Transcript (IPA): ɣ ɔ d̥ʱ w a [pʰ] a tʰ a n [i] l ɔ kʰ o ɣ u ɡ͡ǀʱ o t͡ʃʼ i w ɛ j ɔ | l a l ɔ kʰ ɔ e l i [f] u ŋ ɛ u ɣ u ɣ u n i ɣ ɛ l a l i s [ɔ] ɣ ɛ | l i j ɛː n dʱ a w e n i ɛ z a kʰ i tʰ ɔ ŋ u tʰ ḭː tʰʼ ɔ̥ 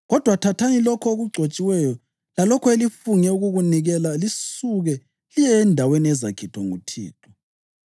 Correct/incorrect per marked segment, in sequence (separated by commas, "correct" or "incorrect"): incorrect, correct, correct, incorrect